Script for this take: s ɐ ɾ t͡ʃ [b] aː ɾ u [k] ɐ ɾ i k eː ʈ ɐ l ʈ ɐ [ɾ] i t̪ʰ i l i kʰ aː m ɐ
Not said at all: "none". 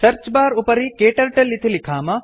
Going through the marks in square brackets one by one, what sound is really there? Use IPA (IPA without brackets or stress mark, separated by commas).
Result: b, p, l